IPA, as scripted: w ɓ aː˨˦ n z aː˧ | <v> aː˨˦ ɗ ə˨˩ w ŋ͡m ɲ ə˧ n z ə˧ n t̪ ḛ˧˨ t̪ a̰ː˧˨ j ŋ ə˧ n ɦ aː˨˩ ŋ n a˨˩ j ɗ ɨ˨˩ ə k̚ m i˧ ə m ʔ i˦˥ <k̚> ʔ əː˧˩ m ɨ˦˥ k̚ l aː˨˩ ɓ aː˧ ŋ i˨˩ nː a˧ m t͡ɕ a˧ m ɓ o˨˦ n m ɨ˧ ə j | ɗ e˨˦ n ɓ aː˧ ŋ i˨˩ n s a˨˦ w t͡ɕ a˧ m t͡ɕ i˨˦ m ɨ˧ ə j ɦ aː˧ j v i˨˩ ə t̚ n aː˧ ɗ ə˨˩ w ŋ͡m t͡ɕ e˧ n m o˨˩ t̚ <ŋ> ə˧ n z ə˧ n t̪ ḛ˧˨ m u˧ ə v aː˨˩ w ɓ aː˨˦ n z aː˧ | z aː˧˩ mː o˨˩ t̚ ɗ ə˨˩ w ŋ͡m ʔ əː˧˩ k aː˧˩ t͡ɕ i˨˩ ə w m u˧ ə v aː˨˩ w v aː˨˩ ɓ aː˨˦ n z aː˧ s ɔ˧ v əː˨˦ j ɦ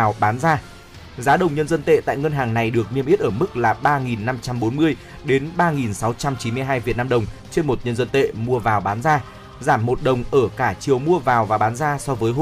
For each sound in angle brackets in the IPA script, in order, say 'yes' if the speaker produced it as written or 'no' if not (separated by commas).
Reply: no, no, no